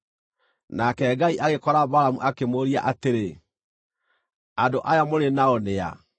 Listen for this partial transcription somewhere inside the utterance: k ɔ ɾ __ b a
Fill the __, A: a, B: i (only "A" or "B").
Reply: A